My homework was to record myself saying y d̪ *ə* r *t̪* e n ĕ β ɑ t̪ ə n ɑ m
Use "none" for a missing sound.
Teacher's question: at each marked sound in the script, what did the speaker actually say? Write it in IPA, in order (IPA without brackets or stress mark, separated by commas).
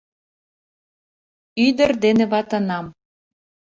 ə, d̪